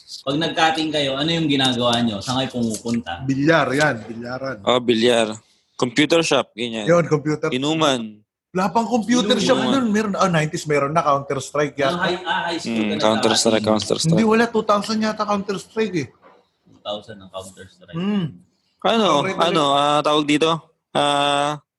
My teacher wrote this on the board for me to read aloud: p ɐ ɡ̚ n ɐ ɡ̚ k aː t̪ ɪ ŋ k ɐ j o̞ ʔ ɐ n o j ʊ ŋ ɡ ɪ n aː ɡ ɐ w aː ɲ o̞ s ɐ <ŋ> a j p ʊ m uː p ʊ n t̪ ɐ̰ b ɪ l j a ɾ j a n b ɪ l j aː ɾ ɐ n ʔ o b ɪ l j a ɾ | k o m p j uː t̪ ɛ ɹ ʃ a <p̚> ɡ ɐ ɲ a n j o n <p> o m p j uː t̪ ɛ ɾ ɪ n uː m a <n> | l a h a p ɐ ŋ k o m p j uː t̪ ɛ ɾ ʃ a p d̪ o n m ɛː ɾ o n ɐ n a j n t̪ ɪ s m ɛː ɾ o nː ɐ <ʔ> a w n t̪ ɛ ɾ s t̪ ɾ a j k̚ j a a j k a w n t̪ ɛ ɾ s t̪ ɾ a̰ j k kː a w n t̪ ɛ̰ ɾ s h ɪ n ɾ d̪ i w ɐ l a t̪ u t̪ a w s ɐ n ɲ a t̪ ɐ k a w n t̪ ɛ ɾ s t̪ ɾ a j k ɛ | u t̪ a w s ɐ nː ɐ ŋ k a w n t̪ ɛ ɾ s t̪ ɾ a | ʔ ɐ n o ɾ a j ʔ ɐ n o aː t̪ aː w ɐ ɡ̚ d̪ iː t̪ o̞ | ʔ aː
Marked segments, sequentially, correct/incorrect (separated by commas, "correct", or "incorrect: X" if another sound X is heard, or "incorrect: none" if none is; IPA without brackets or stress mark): correct, correct, incorrect: k, correct, incorrect: k